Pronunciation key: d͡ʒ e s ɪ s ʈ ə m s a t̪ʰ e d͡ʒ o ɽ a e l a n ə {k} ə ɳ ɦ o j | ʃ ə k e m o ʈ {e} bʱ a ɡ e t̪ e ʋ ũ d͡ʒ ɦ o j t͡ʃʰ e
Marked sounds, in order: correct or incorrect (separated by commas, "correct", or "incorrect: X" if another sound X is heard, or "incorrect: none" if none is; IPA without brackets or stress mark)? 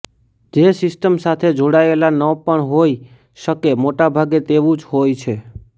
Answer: incorrect: p, incorrect: a